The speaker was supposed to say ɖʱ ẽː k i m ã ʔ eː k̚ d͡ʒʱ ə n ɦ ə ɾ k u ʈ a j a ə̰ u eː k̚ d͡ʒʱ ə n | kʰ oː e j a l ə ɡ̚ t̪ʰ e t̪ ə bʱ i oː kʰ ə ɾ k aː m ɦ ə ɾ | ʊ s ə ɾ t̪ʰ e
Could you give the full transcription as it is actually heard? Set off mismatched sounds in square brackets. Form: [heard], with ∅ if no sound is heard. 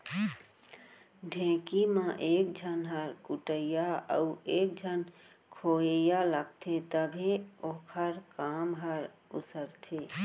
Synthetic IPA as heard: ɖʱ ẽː k i m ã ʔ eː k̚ d͡ʒʱ ə n ɦ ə ɾ k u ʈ [ə] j a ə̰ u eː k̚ d͡ʒʱ ə n | kʰ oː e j a l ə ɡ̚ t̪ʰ e t̪ ə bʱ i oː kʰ ə ɾ k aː m ɦ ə ɾ | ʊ s ə ɾ t̪ʰ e